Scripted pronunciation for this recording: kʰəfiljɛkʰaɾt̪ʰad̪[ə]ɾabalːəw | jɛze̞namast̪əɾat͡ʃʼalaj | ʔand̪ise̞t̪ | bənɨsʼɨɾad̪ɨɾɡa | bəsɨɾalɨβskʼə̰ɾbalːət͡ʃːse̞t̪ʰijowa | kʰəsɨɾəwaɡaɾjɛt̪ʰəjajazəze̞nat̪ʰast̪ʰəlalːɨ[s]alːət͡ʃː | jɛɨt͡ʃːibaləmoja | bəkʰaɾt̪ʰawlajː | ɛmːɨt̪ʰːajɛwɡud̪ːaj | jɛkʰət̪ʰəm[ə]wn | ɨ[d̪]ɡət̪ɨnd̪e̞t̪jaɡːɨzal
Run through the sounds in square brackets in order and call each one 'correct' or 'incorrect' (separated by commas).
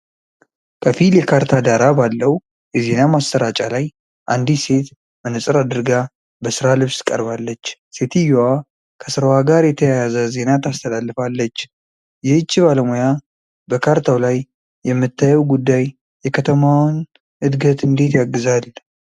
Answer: incorrect, incorrect, incorrect, correct